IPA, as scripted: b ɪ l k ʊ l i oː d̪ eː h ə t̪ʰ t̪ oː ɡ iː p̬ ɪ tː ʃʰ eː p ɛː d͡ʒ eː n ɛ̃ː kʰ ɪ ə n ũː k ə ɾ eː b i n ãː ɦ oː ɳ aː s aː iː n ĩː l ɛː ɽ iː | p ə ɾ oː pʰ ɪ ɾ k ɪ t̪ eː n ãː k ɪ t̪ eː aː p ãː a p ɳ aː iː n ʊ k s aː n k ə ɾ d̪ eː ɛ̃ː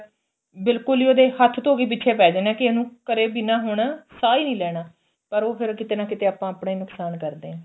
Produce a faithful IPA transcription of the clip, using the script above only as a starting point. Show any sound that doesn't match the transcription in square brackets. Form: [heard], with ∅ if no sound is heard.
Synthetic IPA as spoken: b ɪ l k ʊ l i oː d̪ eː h ə t̪ʰ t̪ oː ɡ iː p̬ ɪ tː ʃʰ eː p ɛː d͡ʒ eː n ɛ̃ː [k] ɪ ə n ũː k ə ɾ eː b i n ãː ɦ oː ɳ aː s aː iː n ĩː l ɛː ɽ [aː] | p ə ɾ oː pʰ ɪ ɾ k ɪ t̪ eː n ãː k ɪ t̪ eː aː p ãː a p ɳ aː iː n ʊ k s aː n k ə ɾ d̪ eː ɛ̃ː